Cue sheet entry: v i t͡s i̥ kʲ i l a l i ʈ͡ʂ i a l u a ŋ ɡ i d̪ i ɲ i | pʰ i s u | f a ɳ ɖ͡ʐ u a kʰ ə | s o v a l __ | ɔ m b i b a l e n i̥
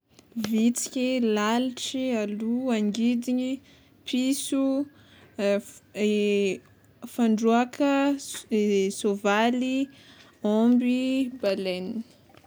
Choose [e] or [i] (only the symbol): i